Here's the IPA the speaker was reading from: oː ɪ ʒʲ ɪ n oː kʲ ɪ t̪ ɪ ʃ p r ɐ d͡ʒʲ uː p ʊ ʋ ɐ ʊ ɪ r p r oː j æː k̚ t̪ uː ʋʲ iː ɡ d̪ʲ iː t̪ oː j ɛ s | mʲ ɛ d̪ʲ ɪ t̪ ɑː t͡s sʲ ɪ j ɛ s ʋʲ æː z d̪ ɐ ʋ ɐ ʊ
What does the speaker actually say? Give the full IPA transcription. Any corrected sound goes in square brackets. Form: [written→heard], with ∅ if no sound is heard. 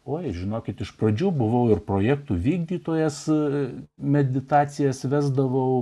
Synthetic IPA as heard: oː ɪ ʒʲ ɪ n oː kʲ ɪ t̪ ɪ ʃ p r ɐ d͡ʒʲ uː [p→b] ʊ ʋ ɐ ʊ ɪ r p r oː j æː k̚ t̪ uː ʋʲ iː ɡ d̪ʲ iː t̪ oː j ɛ s | mʲ ɛ d̪ʲ ɪ t̪ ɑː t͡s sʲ ɪ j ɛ s ʋʲ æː z d̪ ɐ ʋ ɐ ʊ